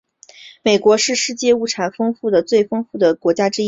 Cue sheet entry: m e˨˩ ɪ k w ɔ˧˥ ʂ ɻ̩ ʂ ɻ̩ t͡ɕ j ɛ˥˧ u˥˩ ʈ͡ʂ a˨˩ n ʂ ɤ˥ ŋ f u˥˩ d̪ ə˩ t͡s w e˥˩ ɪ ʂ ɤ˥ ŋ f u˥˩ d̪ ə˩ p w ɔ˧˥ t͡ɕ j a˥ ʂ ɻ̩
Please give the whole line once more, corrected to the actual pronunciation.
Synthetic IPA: m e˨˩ ɪ k w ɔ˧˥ ʂ ɻ̩ ʂ ɻ̩ t͡ɕ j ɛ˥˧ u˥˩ ʈ͡ʂʰ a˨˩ n f ɤ˥ ŋ f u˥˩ d̪ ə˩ t͡s w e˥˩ ɪ f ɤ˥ ŋ f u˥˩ d̪ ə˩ k w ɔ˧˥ t͡ɕ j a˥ ʈ͡ʂ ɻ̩